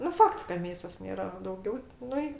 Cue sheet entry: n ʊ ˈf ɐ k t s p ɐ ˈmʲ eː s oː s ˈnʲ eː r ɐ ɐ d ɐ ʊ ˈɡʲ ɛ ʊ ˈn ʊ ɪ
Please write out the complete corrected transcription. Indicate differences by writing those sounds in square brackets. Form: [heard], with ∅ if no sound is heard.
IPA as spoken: n ʊ ˈf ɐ k t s [k] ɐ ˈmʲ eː s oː s ˈnʲ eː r ɐ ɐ d ɐ ʊ ˈɡʲ ɛ ʊ ˈn ʊ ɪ